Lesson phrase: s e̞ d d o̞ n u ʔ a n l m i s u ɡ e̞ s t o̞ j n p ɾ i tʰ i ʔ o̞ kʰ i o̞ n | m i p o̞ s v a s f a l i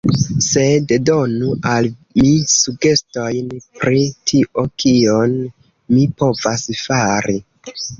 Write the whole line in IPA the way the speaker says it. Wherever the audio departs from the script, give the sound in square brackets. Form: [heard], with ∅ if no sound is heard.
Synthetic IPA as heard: s e̞ d d o̞ n u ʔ a [∅] l m i s u ɡ e̞ s t o̞ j n p ɾ i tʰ i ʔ o̞ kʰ i o̞ n | m i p o̞ [∅] v a s f a [ɾ] i